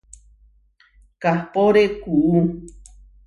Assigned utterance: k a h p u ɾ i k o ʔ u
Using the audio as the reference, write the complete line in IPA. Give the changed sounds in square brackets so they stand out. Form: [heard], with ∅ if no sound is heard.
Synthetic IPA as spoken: k a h p [o] ɾ [e] k [u] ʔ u